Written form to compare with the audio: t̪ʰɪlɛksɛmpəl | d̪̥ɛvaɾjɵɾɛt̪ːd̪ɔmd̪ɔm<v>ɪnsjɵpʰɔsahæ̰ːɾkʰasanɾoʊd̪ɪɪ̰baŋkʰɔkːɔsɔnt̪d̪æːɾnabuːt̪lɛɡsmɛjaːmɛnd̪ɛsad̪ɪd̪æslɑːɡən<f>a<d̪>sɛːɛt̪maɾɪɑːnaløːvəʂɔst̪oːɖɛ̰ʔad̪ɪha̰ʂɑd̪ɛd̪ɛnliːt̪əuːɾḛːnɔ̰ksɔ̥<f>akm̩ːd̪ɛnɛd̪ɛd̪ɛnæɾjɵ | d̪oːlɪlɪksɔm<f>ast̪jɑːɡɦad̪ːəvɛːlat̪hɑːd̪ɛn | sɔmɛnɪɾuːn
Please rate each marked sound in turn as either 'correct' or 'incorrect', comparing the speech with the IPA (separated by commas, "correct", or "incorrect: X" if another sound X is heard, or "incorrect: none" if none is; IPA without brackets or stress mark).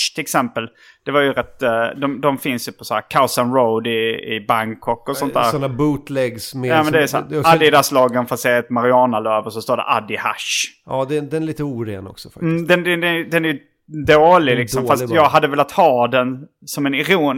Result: incorrect: f, correct, incorrect: t̪, correct, correct